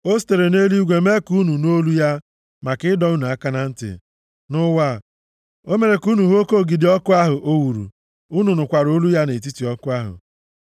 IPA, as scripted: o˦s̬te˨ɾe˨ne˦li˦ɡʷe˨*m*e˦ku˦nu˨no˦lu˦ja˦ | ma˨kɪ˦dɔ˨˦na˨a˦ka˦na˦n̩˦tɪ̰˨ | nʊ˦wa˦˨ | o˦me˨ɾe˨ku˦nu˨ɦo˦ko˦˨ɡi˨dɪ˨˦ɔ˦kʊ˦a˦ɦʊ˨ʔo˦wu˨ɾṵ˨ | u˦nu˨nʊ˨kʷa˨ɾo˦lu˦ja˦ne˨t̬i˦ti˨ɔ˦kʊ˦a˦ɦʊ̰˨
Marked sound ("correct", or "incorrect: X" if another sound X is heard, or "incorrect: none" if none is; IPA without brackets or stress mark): correct